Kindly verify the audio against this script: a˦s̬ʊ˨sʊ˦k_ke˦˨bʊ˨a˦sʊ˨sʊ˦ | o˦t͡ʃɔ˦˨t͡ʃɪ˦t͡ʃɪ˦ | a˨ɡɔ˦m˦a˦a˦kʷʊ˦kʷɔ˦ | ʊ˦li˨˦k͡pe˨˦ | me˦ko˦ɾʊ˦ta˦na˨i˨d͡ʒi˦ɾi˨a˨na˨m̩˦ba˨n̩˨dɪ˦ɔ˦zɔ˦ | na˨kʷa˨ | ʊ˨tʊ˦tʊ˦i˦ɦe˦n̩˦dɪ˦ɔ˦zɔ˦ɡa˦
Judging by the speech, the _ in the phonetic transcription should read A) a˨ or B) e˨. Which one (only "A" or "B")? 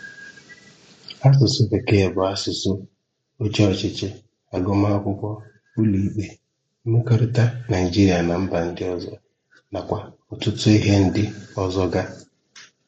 B